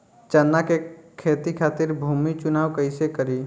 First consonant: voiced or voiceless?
voiceless